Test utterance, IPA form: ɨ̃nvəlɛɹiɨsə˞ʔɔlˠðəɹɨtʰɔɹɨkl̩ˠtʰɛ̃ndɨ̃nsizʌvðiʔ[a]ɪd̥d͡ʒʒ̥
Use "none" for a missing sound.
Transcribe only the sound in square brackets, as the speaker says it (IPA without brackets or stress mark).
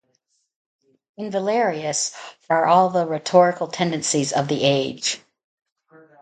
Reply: e